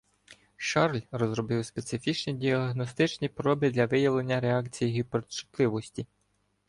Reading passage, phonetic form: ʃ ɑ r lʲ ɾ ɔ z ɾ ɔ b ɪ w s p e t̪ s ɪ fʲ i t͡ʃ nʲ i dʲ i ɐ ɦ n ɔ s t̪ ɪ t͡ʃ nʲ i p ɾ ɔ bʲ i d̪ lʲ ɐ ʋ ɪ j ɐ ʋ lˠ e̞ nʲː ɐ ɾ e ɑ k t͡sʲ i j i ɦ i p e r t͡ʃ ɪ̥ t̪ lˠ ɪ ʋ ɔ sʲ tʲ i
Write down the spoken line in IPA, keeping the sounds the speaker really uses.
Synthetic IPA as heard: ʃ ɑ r lʲ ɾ ɔ z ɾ ɔ b ɪ w s p e t̪ s ɪ fʲ i t͡ʃ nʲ i dʲ i ɐ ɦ n ɔ s t̪ ɪ t͡ʃ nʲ i p ɾ ɔ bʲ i d̪ lʲ ɐ ʋ ɪ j ɐ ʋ lˠ e̞ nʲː ɐ ɾ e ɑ k t͡sʲ i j i ɦ i p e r t͡ʃ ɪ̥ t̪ lˠ ɪ ʋ ɔ sʲ tʲ i